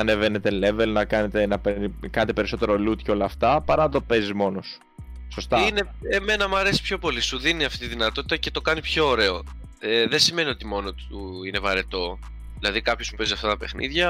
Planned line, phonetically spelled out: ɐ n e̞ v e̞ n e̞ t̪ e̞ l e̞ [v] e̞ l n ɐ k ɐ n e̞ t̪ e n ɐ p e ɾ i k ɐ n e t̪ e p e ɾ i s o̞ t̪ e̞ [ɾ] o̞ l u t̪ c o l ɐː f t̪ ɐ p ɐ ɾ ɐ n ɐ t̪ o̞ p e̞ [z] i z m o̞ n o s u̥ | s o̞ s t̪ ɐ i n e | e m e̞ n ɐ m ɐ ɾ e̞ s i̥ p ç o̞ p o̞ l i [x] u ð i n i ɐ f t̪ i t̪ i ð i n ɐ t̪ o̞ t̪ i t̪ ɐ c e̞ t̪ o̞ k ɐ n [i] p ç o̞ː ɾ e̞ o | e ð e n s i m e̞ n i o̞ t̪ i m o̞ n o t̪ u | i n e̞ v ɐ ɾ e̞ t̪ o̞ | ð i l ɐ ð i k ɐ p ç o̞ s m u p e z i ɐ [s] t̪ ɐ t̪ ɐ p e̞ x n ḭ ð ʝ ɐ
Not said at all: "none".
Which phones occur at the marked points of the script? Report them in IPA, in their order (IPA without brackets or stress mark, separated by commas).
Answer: v, ɾ, z, s, i, f